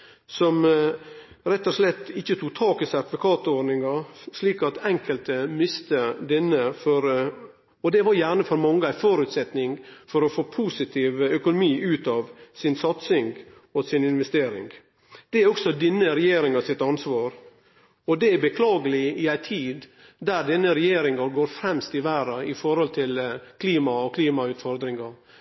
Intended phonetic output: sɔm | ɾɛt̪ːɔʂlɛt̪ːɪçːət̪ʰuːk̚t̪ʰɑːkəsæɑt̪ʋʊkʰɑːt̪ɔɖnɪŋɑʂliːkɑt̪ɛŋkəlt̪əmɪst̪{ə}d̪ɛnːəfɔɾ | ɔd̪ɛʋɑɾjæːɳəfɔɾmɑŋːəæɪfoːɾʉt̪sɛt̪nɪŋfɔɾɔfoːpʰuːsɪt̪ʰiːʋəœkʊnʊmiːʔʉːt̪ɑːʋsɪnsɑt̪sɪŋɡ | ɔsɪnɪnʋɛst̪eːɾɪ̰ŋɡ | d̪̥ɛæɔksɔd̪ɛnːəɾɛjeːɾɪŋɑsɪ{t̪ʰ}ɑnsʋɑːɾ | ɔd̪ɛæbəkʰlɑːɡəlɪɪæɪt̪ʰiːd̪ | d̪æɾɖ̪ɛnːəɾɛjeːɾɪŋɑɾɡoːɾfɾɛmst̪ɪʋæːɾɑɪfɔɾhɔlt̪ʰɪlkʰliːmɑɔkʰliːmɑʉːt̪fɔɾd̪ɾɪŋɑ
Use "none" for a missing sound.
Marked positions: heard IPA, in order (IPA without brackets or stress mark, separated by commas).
ə, t̪